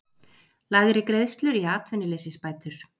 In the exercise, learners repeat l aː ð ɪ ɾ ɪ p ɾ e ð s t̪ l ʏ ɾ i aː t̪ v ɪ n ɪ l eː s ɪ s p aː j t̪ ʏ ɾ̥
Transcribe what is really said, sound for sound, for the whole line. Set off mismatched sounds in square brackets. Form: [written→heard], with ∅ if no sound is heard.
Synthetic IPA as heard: l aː [ð→ɣ] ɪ ɾ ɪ [p→k] ɾ e ð s t̪ l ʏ ɾ i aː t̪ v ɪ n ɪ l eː s ɪ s p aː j t̪ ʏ ɾ̥